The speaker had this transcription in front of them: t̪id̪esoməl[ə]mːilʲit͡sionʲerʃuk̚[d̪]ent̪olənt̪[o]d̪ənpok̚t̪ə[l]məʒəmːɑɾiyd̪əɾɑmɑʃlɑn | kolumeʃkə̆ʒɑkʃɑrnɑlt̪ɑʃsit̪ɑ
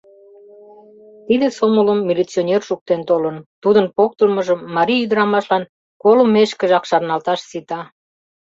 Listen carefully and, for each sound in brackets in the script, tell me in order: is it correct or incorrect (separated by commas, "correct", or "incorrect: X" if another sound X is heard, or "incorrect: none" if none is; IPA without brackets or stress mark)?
correct, incorrect: t̪, incorrect: u, correct